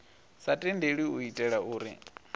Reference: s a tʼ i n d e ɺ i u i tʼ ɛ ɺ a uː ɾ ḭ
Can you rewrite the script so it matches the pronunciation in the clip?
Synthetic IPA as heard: s a tʼ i n d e ɺ i u i tʼ ɛ ɺ a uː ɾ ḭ

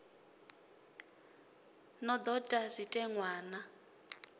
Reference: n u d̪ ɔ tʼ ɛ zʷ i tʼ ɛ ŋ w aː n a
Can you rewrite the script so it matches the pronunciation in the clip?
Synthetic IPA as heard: n ɔ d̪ ɔ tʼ a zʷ i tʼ ɛ ŋ w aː n a

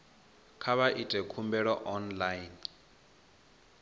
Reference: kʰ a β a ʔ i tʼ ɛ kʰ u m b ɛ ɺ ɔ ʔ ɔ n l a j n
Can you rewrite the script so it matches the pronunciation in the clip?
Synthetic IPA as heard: kʰ a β a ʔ i tʼ ɛ kʰ u m b ɛ ɺ ɔ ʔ ɔ n l a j n

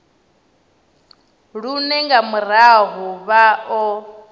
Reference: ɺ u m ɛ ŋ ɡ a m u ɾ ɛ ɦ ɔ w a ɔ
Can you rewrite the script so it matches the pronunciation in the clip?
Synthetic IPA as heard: ɺ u n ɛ ŋ ɡ a m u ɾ a ɦ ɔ β a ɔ

